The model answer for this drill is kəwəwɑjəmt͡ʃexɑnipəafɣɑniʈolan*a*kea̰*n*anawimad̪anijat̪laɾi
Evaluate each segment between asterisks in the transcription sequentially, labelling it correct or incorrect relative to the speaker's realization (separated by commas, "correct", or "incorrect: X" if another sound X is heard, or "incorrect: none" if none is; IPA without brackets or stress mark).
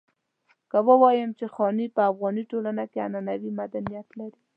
correct, correct